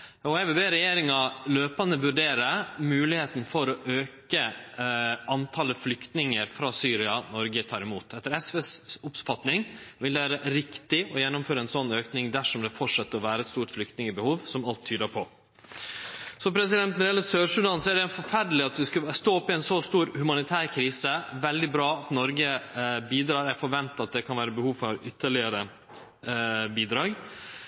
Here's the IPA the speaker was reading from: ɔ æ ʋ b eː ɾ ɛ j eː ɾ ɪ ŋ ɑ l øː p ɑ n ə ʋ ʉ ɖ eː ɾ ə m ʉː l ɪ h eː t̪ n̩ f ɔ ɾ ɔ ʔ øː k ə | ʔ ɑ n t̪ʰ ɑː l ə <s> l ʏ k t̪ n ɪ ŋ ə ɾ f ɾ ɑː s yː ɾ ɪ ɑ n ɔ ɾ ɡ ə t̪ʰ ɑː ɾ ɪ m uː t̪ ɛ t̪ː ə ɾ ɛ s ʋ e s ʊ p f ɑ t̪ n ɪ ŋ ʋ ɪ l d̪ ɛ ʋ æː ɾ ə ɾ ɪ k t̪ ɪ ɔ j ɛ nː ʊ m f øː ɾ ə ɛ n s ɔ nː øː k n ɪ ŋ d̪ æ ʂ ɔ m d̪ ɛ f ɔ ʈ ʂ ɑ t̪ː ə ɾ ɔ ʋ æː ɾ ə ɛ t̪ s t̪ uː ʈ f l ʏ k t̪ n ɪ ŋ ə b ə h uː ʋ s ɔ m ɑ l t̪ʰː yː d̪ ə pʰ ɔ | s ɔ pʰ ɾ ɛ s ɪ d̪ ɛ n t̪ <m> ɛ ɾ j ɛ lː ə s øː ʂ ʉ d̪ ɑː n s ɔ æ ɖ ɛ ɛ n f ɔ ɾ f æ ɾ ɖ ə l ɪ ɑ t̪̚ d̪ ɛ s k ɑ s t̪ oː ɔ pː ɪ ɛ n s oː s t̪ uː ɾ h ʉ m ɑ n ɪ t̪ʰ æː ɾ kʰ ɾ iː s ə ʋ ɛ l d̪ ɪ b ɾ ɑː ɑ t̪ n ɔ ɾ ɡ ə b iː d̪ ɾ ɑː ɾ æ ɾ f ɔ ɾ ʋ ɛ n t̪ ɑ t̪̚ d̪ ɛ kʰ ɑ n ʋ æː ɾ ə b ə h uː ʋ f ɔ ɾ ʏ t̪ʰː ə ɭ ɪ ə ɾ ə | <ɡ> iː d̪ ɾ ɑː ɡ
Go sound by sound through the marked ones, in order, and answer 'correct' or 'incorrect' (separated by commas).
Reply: incorrect, incorrect, incorrect